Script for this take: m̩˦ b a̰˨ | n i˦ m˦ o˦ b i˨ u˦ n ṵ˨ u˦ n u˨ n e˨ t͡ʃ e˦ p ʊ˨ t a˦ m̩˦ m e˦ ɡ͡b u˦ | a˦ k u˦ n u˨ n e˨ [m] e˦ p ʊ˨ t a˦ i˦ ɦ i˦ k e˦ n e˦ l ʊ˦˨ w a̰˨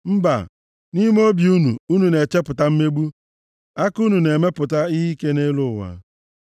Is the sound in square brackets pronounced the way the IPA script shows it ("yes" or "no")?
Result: yes